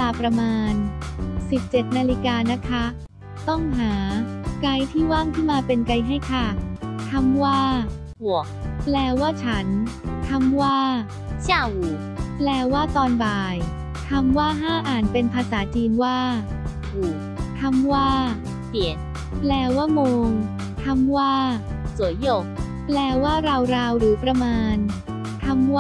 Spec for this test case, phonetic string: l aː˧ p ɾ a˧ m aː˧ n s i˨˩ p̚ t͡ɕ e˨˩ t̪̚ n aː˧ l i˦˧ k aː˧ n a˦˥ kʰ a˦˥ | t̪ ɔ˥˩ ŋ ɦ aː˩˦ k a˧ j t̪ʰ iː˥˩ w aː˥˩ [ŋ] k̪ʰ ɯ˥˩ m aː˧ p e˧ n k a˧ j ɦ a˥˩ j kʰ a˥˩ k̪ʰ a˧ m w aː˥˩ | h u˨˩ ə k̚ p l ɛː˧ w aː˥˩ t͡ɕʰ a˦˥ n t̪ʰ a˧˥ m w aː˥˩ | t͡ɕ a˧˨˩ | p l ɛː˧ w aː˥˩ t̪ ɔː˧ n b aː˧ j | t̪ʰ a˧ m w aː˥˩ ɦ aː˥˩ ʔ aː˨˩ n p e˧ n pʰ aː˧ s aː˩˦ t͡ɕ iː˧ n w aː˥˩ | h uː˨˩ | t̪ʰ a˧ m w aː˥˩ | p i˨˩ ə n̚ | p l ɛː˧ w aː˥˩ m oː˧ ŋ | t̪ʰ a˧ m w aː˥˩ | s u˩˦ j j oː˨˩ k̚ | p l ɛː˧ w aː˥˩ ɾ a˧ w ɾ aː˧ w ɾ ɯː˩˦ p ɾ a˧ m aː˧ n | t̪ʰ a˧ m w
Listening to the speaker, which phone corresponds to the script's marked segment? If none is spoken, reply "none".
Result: ŋ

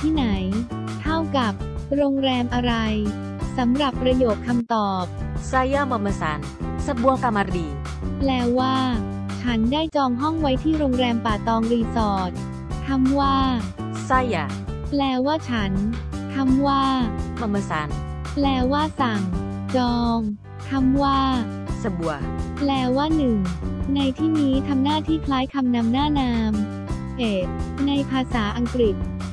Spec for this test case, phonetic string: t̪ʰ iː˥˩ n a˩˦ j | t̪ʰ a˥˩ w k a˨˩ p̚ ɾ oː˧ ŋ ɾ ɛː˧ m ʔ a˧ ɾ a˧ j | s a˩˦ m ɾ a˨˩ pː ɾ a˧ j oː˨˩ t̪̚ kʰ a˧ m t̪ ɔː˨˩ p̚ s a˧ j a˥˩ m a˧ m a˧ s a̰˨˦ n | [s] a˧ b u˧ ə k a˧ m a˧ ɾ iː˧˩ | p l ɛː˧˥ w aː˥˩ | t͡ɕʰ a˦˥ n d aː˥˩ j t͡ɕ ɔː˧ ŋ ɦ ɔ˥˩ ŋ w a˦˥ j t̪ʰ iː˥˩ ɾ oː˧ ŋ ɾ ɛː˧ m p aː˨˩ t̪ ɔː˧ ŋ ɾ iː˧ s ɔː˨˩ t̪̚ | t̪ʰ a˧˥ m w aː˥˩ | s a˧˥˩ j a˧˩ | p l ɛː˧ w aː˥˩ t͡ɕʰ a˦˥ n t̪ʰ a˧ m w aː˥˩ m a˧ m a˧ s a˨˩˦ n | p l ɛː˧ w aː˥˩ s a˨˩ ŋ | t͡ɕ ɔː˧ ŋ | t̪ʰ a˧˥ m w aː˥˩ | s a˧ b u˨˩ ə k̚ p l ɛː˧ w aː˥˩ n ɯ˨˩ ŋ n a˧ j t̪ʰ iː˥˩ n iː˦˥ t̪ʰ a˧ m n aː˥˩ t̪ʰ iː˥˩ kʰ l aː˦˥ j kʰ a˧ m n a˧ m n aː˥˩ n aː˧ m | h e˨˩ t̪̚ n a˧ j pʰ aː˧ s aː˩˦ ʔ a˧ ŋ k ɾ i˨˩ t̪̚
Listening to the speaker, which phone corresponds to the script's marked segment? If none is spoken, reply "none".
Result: s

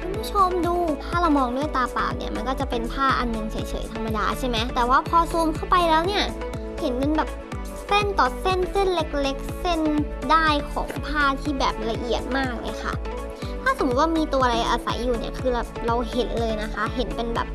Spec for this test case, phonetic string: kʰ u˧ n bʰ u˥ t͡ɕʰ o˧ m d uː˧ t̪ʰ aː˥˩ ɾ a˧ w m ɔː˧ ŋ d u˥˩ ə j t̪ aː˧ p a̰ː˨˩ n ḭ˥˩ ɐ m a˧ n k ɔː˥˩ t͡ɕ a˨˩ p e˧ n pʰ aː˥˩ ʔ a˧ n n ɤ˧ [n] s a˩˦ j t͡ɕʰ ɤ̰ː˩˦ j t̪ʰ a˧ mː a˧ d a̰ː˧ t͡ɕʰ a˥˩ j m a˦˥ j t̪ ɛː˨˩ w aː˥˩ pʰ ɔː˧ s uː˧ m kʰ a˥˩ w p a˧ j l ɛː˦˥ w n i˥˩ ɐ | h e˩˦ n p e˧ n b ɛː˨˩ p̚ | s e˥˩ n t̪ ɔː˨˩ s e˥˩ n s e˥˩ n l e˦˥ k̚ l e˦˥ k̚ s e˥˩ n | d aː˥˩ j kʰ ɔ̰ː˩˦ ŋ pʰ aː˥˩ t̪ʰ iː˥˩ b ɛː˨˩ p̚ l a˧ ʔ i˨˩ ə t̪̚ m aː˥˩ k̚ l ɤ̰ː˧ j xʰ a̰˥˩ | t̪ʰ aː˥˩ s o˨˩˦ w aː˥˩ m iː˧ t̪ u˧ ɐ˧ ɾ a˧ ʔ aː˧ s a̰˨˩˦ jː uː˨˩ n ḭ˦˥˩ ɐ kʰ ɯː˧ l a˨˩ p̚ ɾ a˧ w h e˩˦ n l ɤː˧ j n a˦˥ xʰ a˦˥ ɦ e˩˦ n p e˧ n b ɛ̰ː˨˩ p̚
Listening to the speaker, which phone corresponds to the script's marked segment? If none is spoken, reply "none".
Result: ŋ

